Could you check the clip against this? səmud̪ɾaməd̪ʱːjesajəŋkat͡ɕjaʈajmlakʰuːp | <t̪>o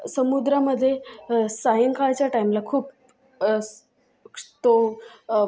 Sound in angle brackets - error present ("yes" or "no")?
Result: no